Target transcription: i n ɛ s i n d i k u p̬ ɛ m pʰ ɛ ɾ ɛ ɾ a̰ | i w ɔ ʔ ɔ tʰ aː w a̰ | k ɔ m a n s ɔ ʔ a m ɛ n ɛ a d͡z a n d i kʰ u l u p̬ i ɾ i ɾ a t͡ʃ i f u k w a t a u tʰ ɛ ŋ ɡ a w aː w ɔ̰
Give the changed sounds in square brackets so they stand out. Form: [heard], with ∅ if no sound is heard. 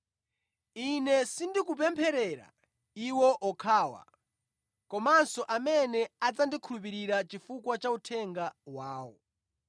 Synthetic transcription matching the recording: i n ɛ s i n d i k u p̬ ɛ m pʰ ɛ ɾ ɛ ɾ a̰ | i w ɔ ʔ ɔ [kʰ] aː w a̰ | k ɔ m a n s ɔ ʔ a m ɛ n ɛ a d͡z a n d i kʰ u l u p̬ i ɾ i ɾ a t͡ʃ i f u k w a [t͡ʃ] a u tʰ ɛ ŋ ɡ a w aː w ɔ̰